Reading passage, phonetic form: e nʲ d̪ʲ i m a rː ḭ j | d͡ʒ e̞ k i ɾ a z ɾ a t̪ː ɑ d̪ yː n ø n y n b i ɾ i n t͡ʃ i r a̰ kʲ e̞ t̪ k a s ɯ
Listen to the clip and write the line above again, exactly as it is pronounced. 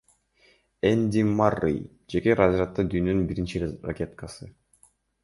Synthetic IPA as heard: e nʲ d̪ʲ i m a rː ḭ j | d͡ʒ e̞ k e ɾ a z ɾ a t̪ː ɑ d̪ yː n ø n y n b i ɾ i n t͡ʃ i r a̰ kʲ e̞ t̪ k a s ɯ